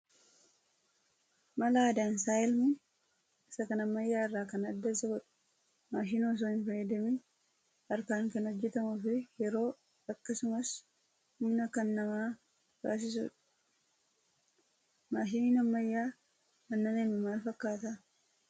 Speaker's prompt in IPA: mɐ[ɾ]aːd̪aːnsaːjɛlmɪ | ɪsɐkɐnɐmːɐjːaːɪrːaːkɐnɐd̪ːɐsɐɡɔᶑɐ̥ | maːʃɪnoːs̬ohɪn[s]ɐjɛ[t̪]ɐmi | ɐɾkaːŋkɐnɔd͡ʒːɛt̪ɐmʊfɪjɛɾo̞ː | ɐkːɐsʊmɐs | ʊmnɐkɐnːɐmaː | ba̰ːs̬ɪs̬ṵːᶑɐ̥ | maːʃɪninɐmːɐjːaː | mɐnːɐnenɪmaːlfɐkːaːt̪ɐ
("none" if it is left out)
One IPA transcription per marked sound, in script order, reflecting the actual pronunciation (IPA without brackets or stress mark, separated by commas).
l, f, d̪